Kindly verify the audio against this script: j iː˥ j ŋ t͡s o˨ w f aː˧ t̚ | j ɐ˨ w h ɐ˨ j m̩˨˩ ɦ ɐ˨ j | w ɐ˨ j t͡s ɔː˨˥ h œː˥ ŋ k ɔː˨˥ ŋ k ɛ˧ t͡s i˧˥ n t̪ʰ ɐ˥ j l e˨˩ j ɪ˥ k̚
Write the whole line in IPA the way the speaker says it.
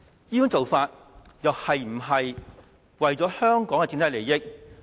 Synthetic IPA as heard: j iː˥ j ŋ t͡s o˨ w f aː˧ t̚ | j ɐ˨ w h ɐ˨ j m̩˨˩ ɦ ɐ˨ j | w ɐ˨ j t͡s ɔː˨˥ h œː˥ ŋ k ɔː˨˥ ŋ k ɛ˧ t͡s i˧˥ n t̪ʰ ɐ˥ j l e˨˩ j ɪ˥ k̚